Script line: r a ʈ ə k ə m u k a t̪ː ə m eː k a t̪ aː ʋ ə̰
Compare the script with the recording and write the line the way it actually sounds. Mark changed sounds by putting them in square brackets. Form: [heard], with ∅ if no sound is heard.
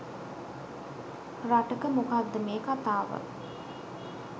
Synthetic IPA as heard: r a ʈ ə k ə m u k a [d̪ː] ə m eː k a t̪ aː ʋ ə̰